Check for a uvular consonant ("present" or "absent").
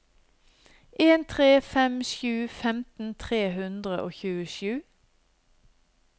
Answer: present